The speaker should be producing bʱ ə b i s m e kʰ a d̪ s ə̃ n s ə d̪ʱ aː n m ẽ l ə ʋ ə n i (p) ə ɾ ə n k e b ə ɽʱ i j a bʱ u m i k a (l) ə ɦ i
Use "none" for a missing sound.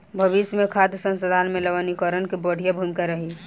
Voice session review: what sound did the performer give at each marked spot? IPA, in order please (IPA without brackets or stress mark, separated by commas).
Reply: k, ɾ